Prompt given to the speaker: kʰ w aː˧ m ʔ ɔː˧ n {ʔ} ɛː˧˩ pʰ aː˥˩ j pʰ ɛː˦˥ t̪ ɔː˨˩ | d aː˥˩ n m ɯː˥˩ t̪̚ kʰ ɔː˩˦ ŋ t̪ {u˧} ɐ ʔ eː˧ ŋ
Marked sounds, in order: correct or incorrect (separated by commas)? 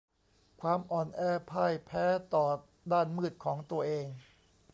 correct, correct